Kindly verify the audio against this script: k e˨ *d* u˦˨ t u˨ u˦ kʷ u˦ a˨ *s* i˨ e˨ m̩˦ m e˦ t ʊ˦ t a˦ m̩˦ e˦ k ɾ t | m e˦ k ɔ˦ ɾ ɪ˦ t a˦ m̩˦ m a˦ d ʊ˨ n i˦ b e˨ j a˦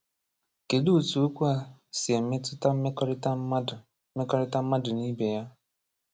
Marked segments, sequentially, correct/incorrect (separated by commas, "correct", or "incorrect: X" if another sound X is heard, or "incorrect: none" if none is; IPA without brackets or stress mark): correct, correct